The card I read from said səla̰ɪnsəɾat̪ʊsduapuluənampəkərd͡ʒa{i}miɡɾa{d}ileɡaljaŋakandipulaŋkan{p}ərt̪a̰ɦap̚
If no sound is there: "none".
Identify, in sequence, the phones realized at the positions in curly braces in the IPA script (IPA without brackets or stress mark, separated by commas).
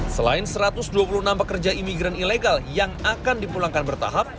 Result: i, n, b